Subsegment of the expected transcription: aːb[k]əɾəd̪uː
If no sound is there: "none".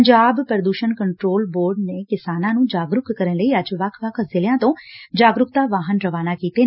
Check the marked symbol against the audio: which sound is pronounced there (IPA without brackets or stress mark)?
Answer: p